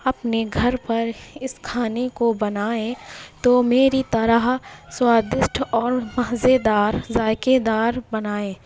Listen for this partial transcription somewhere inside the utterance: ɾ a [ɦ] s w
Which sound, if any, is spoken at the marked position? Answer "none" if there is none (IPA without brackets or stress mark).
ɦ